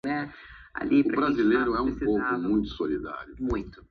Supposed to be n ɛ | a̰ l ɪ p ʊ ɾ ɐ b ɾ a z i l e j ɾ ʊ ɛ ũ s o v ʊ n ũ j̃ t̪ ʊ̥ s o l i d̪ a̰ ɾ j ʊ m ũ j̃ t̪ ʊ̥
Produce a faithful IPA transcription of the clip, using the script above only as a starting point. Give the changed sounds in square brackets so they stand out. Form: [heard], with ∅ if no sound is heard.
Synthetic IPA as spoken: n ɛ | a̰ l [i] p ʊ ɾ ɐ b ɾ a z i l e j ɾ ʊ ɛ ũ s o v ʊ [m] ũ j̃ t̪ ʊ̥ s o l i d̪ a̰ ɾ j ʊ m ũ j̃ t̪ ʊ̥